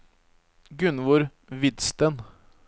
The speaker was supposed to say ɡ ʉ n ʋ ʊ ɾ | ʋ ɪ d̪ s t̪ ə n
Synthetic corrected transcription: ɡ ʉ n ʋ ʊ ɾ | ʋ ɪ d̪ s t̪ ə n